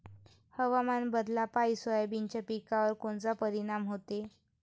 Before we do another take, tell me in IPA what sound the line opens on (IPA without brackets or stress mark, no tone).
h